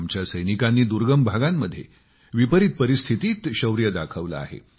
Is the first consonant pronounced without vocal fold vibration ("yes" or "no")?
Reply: no